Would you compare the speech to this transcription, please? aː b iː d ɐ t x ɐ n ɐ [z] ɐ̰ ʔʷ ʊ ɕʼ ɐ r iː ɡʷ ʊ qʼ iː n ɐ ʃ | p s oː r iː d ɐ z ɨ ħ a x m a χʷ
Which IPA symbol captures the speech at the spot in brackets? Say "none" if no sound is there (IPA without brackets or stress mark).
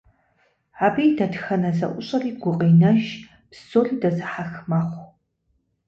z